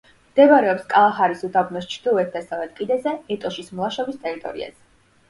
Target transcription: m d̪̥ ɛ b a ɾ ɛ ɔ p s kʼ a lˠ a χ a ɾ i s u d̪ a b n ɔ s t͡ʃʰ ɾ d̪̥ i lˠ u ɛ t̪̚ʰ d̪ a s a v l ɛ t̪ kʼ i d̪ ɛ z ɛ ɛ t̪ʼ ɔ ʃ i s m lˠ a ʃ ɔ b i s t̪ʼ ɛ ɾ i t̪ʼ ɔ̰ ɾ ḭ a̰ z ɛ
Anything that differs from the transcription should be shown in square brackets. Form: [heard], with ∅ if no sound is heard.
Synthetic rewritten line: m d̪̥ ɛ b a ɾ ɛ ɔ p s kʼ a lˠ a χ a ɾ i s u d̪ a b n ɔ s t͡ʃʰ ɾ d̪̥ i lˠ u ɛ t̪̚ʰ d̪ a s a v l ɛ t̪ kʼ i d̪ ɛ z ɛ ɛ t̪ʼ ɔ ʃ i s m lˠ a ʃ ɔ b i s t̪ʼ ɛ ɾ i t̪ʼ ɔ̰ ɾ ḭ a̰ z ɛ